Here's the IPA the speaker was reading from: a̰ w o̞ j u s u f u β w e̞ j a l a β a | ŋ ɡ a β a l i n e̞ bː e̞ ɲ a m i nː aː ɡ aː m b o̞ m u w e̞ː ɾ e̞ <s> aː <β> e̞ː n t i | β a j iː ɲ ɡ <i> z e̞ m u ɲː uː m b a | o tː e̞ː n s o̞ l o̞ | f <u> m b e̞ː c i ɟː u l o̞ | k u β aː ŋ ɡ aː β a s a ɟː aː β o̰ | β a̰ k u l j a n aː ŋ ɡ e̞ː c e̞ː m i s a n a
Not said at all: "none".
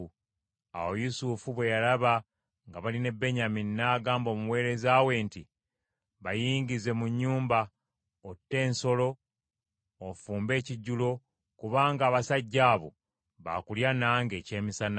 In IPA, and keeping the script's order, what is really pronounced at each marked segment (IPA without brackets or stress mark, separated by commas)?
z, w, i, uː